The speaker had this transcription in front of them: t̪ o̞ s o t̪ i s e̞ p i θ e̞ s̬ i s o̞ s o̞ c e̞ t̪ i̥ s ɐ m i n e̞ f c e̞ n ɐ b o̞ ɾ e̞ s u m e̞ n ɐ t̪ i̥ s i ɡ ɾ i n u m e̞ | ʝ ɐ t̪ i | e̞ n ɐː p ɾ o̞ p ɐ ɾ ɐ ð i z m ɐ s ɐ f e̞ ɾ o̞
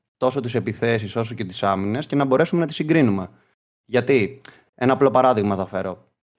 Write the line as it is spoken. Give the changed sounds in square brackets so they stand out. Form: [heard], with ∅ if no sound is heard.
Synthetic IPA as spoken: t̪ o̞ s o t̪ i s e̞ p i θ e̞ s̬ i s o̞ s o̞ c e̞ t̪ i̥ s ɐ m i n e̞ [s] c e̞ n ɐ b o̞ ɾ e̞ s u m e̞ n ɐ t̪ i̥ s i ɡ ɾ i n u m e̞ | ʝ ɐ t̪ i | e̞ n ɐː p [l] o̞ p ɐ ɾ ɐ ð i [ɣ] m ɐ [θ] ɐ f e̞ ɾ o̞